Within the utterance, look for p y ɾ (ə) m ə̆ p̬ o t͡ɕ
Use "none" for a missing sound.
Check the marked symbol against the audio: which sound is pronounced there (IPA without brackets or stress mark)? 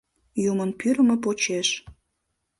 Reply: ə